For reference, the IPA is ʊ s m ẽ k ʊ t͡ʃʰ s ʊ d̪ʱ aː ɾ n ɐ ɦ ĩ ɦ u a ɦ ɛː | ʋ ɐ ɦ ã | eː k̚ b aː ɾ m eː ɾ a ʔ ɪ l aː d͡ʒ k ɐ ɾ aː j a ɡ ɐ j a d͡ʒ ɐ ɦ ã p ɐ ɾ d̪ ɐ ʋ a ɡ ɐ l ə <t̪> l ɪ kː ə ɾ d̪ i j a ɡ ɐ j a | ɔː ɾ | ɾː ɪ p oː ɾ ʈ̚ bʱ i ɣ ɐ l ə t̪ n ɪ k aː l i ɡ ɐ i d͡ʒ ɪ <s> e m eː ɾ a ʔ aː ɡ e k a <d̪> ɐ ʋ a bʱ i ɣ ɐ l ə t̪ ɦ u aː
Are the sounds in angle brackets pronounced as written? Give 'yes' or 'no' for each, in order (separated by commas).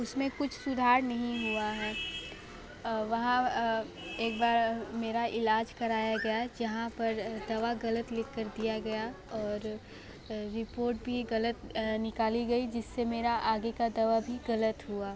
yes, no, yes